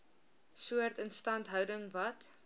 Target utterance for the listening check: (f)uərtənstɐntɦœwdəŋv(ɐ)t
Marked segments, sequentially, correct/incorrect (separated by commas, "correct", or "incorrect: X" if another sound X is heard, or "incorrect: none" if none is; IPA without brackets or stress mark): incorrect: s, correct